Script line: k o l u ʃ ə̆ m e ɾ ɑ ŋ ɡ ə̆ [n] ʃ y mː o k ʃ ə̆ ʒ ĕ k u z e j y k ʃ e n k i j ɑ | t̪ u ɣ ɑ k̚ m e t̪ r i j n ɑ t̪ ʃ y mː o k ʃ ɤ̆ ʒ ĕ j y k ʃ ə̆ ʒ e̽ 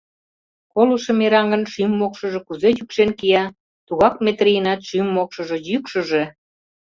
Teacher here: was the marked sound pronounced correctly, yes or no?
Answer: yes